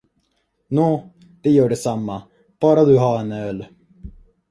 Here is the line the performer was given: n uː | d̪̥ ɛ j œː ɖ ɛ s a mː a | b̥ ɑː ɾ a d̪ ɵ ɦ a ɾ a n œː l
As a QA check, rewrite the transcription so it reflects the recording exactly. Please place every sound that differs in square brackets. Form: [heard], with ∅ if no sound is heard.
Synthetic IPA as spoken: n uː | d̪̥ ɛ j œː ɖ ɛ s a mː a | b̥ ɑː ɾ a d̪ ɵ ɦ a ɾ [ɛ] n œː l